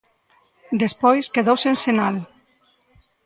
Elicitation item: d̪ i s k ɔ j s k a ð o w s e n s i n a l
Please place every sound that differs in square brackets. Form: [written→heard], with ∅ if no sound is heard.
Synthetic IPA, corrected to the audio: d̪ [i→e] s [k→p] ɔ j s k [a→e] ð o w s e n s [i→e] n a l